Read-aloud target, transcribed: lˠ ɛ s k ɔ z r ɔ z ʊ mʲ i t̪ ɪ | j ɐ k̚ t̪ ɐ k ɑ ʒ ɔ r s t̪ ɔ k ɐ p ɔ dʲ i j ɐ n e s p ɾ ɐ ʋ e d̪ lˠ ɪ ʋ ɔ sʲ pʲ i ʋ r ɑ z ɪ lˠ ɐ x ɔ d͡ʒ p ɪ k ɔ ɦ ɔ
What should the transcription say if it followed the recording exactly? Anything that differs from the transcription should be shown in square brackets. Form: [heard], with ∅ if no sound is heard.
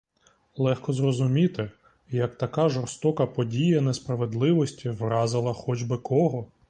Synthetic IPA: lˠ ɛ [x] k ɔ z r ɔ z ʊ mʲ i t̪ ɪ | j ɐ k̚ t̪ ɐ k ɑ ʒ ɔ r s t̪ ɔ k ɐ p ɔ dʲ i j ɐ n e s p ɾ ɐ ʋ e d̪ lˠ ɪ ʋ ɔ sʲ [tʲ] i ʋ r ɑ z ɪ lˠ ɐ x ɔ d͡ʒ [b] ɪ k ɔ ɦ ɔ